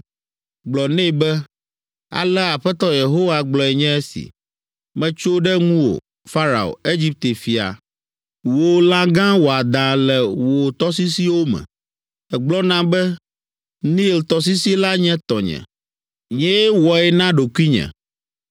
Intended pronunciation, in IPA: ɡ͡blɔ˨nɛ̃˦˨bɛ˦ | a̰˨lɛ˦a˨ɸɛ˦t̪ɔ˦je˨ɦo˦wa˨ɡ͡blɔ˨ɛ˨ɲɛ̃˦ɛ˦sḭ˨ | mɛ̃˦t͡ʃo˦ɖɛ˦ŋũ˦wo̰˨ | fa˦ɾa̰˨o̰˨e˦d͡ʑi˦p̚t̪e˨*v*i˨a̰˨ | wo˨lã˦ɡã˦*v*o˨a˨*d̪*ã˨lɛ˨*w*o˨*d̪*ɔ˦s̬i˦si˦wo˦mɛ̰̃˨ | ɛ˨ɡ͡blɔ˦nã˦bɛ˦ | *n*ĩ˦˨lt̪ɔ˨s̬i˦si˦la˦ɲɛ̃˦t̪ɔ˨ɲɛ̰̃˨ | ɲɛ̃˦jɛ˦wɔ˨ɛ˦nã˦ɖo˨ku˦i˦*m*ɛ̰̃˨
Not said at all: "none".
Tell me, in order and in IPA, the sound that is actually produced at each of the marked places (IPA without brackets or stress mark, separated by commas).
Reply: f, w, d̪, w, t̪, n, ɲ